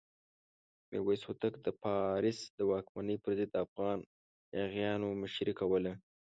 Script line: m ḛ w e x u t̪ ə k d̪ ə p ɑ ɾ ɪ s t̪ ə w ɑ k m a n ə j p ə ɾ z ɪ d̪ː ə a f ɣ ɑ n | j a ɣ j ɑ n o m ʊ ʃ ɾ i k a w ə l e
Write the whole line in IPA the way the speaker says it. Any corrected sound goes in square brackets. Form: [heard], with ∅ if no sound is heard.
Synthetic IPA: m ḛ w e [s] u t̪ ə k d̪ ə p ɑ ɾ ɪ s [d̪] ə w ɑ k m a n ə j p ə ɾ z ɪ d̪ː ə a f ɣ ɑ n | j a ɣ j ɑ n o m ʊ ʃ ɾ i k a w ə l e